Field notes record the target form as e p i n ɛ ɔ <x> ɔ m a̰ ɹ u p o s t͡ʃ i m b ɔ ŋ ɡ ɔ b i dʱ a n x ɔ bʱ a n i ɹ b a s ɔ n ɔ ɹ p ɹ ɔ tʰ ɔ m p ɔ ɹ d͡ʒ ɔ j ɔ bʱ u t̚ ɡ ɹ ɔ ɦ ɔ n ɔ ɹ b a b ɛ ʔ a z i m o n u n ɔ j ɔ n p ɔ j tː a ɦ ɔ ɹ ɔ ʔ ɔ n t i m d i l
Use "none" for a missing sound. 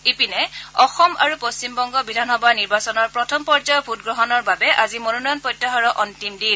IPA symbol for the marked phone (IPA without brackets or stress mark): x